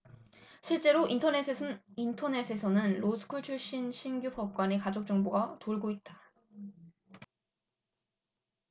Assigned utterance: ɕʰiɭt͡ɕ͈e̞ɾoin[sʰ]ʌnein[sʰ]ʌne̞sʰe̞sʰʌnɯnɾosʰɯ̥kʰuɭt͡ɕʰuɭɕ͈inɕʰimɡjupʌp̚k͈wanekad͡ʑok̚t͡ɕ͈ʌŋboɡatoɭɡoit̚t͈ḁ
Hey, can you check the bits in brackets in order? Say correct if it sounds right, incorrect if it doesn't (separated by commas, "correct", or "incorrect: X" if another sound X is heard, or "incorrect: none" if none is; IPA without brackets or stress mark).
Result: incorrect: tʰ, incorrect: tʰ